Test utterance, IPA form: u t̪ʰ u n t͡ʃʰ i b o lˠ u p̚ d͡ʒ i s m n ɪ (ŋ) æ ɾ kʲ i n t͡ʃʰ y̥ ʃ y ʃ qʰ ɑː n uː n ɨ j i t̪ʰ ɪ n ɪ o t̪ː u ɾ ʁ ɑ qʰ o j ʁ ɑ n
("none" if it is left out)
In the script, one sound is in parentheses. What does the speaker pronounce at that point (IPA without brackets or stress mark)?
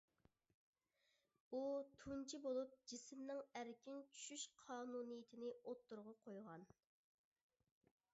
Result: ŋ